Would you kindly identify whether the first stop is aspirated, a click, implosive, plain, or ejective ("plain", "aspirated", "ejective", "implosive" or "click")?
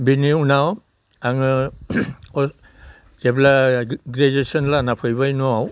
plain